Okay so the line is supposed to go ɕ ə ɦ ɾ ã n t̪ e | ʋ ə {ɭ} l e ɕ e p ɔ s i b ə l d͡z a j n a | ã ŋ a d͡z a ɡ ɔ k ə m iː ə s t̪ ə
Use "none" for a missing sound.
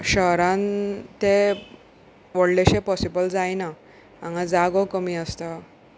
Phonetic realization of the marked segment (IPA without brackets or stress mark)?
ɽ